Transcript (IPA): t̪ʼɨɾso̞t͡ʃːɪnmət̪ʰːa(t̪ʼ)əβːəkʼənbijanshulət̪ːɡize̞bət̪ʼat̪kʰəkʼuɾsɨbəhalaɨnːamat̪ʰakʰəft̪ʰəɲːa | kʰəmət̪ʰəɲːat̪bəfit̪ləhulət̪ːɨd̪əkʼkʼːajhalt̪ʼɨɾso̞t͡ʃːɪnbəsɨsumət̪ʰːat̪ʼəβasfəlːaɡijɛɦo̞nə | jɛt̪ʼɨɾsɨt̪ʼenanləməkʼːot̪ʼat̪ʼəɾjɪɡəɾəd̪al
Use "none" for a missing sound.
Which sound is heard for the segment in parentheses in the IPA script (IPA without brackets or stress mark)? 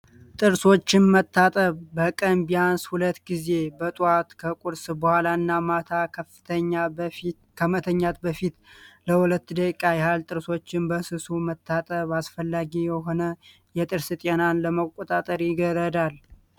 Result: t̪ʼ